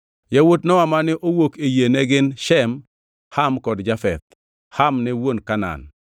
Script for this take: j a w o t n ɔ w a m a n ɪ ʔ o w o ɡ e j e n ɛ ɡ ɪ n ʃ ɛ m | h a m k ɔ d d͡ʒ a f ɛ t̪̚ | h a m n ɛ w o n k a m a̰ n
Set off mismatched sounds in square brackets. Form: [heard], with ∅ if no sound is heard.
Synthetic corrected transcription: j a w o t n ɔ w a m a n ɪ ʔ o w o [k] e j e n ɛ ɡ ɪ n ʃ ɛ m | h a m k ɔ d d͡ʒ a f ɛ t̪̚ | h a m n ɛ w o n k a [n] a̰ n